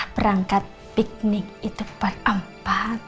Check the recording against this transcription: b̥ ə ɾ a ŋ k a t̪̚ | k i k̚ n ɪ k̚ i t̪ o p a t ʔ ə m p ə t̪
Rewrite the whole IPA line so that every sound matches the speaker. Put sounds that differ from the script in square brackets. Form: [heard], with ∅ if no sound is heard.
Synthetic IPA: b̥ ə ɾ a ŋ k a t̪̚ | [p] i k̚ n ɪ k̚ i t̪ [u] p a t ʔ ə m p [a] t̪